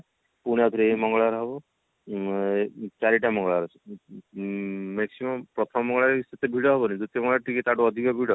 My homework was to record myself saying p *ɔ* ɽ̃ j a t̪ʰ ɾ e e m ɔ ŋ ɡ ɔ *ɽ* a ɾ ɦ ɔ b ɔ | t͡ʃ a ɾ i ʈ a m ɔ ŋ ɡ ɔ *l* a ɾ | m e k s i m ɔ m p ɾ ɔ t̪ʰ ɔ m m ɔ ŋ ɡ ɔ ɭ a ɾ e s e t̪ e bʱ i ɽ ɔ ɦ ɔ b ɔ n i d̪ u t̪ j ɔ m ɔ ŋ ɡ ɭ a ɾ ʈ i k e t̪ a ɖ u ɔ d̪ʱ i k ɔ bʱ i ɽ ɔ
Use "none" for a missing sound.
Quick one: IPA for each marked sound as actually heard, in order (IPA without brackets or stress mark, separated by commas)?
u, ɭ, ɭ